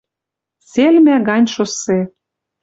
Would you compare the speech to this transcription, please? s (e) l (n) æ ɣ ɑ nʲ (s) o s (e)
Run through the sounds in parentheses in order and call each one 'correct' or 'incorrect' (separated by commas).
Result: correct, incorrect, incorrect, correct